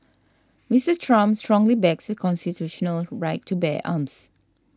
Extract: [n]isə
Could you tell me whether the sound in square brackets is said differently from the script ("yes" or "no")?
yes